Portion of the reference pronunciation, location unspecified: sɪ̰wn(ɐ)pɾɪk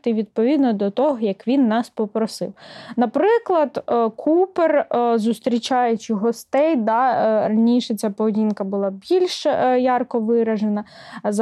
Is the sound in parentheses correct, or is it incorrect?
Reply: correct